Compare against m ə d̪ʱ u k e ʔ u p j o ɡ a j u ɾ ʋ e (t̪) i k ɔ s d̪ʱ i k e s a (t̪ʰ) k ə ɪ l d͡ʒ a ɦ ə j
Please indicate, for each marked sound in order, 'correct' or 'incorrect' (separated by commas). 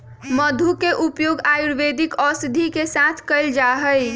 incorrect, correct